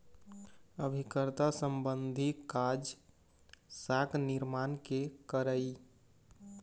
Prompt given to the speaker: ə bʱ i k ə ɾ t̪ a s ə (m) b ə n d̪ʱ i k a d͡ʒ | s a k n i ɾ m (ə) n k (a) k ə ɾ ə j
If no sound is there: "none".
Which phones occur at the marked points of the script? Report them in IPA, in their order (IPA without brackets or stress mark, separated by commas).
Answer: m, a, e